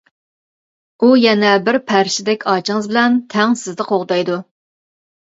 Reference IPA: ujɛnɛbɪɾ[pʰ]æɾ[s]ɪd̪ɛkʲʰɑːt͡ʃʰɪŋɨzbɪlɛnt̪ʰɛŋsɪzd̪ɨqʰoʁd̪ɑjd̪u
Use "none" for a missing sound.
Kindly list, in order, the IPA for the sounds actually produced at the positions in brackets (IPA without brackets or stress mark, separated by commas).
pʰ, ʃ